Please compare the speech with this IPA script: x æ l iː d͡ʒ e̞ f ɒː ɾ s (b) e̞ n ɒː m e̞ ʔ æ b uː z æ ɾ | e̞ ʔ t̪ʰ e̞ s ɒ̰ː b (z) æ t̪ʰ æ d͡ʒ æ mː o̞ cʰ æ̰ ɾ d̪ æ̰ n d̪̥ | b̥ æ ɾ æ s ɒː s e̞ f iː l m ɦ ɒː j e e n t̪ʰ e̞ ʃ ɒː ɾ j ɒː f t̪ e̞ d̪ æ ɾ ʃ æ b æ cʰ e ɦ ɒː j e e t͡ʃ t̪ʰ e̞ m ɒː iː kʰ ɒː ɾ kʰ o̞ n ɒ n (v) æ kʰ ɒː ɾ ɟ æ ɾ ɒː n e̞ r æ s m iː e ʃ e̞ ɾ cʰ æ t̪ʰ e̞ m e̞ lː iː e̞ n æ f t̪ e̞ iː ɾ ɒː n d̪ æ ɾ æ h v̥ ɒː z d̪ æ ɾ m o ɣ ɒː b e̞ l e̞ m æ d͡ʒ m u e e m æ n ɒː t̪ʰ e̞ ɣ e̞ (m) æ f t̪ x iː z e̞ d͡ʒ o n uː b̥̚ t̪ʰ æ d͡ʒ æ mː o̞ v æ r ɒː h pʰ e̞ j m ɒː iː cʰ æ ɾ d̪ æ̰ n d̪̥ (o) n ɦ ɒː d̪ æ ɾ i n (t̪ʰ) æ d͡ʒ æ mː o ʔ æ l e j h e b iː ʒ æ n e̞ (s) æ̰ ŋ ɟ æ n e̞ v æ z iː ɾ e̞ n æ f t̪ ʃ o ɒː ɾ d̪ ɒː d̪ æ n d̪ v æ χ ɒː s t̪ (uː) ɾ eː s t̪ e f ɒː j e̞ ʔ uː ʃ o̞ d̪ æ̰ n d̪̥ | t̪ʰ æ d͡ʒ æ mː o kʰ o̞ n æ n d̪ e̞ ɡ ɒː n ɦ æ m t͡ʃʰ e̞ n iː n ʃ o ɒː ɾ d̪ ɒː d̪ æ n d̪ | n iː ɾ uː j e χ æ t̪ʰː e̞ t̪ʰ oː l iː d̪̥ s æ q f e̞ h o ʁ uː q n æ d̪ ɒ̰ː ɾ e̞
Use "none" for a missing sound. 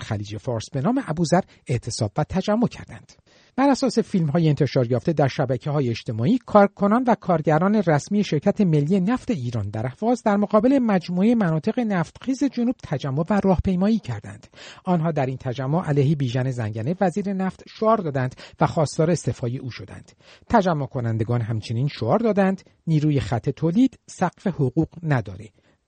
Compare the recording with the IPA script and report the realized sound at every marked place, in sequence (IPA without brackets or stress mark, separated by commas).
b, v, v, n, ɒ, t̪ʰ, z, ɒː